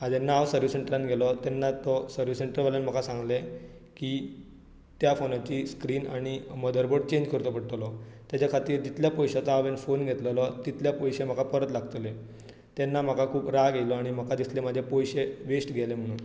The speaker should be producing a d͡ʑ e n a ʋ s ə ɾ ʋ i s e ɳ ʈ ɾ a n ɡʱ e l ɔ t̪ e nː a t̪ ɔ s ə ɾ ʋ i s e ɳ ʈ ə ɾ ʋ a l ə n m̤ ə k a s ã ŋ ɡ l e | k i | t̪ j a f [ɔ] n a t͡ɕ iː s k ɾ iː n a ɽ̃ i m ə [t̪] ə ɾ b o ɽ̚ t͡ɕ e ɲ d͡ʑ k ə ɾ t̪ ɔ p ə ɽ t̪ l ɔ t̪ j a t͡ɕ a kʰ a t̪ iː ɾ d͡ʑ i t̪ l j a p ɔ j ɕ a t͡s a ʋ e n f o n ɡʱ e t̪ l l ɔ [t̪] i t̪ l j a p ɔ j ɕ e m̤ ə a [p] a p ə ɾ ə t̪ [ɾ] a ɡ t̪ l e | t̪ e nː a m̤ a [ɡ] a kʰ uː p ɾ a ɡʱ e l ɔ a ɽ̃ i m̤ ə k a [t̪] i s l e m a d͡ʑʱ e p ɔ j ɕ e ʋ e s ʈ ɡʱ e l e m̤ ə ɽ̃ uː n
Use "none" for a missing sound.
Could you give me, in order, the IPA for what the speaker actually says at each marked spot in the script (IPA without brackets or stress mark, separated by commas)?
o, d̪, t̪, k, l, k, d̪